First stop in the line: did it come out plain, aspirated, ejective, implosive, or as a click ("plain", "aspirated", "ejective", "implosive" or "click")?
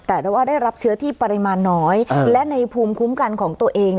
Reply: plain